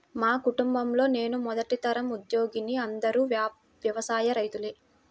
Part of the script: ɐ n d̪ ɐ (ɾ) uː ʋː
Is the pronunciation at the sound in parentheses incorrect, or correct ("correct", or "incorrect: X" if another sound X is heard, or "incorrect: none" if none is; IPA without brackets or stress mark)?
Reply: correct